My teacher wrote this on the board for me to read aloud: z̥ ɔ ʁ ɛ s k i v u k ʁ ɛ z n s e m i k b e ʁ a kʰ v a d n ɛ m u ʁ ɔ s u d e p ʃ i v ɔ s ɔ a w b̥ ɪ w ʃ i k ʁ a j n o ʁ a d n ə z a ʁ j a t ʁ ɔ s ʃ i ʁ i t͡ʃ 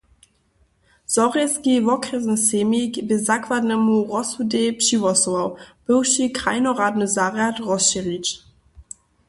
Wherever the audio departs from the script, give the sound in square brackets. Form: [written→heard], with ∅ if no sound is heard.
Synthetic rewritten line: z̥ ɔ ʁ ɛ s k i v [u→ɔ] k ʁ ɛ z n s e m i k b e [ʁ→z] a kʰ v a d n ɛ m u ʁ ɔ s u d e p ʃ i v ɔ s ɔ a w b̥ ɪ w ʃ i k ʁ a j n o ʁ a d n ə z a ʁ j a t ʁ ɔ s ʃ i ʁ i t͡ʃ

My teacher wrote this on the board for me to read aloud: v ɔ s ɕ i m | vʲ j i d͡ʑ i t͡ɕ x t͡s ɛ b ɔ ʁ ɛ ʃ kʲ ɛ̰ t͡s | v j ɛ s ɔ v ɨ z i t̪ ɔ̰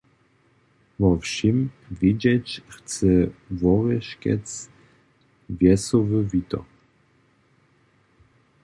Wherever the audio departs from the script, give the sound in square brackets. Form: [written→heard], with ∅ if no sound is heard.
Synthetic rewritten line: v ɔ [s→f] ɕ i m | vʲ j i d͡ʑ [i→ɛ] t͡ɕ x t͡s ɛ [b→v] ɔ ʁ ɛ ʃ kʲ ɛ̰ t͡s | v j ɛ s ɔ v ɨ [z→v] i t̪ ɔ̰

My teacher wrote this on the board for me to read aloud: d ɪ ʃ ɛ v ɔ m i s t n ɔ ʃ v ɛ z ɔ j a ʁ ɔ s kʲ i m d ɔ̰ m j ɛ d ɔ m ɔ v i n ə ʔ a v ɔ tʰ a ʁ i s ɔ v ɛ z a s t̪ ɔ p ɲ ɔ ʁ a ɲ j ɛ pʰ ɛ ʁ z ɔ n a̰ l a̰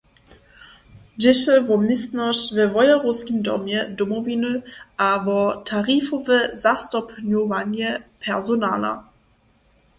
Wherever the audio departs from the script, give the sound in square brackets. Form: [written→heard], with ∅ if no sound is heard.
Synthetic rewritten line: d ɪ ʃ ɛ v ɔ m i s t n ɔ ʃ v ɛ [z→v] ɔ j a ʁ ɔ s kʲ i m d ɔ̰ m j ɛ d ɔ m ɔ v i n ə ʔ a v ɔ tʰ a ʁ i [s→f] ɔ v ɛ z a s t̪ ɔ p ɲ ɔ [ʁ→v] a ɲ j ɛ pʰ ɛ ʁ z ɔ n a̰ l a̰

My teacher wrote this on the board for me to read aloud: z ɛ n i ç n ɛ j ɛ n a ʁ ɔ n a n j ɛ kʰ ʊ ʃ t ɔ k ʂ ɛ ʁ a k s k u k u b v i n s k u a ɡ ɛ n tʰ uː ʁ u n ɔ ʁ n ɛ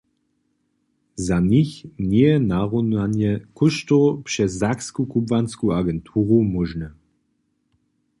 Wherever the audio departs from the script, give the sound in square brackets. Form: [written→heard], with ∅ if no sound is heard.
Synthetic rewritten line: z [ɛ→a] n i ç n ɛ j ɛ n a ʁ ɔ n a n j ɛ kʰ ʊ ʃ t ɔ [k→p] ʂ ɛ [ʁ→z] a k s k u k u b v [i→a] n s k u a ɡ ɛ n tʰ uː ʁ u [n→m] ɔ [ʁ→ʒ] n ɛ

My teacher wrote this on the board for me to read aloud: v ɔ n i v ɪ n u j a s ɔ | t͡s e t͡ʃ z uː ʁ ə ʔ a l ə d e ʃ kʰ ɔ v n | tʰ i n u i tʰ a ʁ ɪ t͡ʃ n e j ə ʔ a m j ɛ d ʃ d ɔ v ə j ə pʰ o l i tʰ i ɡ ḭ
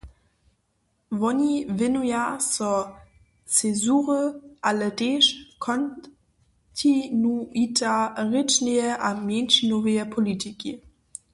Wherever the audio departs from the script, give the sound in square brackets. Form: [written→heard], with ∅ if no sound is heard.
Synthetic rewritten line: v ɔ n i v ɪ n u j a s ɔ | t͡s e [t͡ʃ→∅] z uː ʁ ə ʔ a l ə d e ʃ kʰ ɔ [v→∅] n | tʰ i n u i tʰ a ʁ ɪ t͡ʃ n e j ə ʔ a m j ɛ [d→n] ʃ [d→n] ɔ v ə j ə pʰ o l i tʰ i [ɡ→k] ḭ

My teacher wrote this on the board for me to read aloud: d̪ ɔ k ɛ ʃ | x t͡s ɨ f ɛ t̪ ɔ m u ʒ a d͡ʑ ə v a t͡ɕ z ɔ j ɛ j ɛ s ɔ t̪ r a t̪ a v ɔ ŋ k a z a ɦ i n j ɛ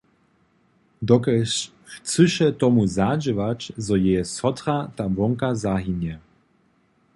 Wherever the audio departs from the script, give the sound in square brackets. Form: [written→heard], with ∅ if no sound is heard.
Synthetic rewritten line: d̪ ɔ k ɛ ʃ | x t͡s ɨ [f→ʃ] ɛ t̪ ɔ m u [ʒ→z] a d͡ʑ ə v a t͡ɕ z ɔ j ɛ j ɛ s ɔ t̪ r a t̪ a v ɔ ŋ k a z a ɦ i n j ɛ

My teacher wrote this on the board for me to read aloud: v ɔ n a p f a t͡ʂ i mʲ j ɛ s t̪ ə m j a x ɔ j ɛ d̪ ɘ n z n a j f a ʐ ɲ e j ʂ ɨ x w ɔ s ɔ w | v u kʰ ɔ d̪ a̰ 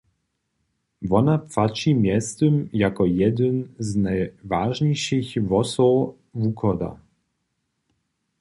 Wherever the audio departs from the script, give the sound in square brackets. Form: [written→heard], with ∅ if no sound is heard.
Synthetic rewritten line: v ɔ n a p f a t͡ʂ i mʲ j ɛ s t̪ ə m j a [x→k] ɔ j ɛ d̪ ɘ n z n a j [f→v] a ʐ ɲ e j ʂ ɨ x [w→v] ɔ s ɔ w | v u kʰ ɔ d̪ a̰

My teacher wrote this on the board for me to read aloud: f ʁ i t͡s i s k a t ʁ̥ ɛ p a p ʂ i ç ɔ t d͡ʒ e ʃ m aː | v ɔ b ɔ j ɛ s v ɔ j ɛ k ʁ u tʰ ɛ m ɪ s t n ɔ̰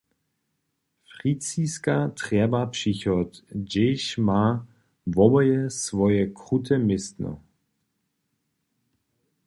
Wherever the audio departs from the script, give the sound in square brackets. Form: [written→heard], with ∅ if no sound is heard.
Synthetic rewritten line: f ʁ i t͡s i s k a t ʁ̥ ɛ [p→b] a p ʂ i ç ɔ t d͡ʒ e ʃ m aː | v ɔ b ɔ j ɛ s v ɔ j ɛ k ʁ u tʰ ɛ m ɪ s t n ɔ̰

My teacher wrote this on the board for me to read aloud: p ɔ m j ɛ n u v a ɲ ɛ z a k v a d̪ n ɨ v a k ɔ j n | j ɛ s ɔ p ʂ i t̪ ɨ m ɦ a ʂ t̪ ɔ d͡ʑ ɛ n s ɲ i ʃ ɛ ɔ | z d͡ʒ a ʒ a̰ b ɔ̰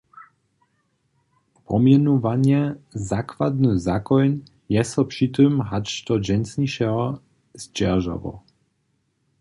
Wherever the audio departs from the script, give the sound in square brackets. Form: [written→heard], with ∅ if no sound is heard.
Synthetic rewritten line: p ɔ m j ɛ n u v a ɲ ɛ z a k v a d̪ n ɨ [v→z] a k ɔ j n | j ɛ s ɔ p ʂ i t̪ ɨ m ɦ a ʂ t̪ ɔ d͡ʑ ɛ n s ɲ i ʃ ɛ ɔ | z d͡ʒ [a→ɛ] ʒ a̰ [b→v] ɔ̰

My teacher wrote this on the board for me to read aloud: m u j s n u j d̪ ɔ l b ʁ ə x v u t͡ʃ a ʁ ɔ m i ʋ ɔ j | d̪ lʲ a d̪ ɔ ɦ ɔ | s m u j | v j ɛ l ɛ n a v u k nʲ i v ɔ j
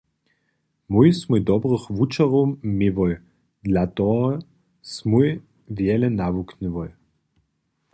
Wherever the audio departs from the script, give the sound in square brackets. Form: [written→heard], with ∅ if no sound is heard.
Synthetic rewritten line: m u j s [n→m] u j d̪ ɔ [l→∅] b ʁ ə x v u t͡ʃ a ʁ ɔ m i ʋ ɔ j | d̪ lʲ a [d̪→t̪] ɔ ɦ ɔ | s m u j | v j ɛ l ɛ n a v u k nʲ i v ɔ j

